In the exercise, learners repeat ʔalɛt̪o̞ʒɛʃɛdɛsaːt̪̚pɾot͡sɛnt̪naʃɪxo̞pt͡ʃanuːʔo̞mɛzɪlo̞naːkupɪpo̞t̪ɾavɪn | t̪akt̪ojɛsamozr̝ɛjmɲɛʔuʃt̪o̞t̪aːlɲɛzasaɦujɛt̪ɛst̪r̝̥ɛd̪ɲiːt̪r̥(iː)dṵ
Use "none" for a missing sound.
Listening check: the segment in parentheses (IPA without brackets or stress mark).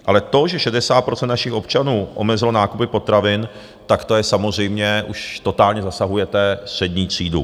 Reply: iː